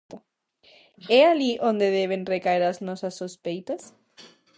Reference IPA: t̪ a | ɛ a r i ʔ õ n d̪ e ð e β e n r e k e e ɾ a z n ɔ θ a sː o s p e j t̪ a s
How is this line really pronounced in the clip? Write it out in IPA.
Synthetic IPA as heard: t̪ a | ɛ a l i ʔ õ n d̪ e ð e β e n r e k a e ɾ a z n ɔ s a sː o s p e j t̪ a s